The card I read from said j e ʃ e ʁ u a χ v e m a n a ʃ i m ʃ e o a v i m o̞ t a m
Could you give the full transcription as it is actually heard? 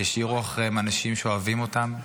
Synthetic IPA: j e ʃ i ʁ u a χ ʁ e m a n a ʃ i m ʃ e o a v i m o̞ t a m